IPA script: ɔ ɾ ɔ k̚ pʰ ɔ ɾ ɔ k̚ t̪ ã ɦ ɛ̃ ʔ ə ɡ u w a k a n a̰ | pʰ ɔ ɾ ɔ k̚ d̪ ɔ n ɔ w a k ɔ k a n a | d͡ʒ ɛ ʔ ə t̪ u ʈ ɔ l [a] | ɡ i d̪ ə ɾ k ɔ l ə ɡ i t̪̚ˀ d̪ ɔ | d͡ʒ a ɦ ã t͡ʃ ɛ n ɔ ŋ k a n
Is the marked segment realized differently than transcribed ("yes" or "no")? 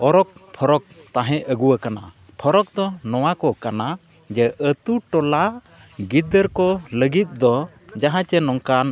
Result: no